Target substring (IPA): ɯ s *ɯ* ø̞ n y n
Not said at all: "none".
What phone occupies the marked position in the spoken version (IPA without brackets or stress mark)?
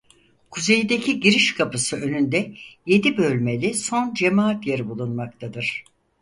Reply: ɯ